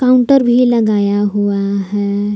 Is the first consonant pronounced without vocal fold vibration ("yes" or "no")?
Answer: yes